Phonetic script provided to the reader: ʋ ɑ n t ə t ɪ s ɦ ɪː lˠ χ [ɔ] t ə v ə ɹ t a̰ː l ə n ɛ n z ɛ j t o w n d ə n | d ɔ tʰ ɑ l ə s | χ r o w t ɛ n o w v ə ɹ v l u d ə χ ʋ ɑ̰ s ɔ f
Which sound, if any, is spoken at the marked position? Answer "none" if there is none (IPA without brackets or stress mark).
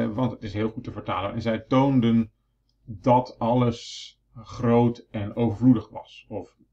u